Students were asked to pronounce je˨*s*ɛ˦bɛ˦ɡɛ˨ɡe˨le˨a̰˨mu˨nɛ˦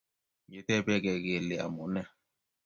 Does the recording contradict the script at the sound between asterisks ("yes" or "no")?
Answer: yes